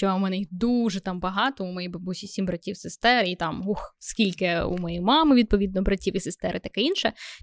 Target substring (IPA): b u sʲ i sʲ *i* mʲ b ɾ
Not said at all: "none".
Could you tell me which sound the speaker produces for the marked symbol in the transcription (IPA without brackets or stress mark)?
i